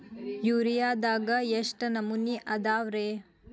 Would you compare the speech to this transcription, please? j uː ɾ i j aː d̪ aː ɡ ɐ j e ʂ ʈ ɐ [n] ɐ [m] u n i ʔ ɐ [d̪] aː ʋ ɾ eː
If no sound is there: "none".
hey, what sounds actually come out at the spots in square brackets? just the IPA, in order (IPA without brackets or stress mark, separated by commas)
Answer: n, m, d̪